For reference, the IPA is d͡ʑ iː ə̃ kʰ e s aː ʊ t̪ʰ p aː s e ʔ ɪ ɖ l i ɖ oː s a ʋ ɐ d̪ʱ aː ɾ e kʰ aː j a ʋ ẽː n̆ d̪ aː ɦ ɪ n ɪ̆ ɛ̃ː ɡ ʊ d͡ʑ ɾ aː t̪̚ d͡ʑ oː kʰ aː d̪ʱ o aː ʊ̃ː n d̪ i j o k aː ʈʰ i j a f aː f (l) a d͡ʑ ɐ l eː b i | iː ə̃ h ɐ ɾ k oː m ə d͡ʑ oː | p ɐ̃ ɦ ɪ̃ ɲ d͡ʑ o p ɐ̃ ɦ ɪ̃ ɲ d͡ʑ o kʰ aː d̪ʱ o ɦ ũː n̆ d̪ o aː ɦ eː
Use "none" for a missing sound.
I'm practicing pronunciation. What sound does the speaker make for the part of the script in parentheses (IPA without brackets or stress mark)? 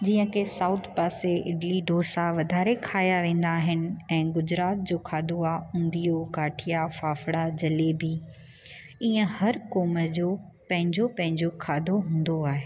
ɽ